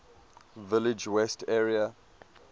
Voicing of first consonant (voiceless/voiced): voiced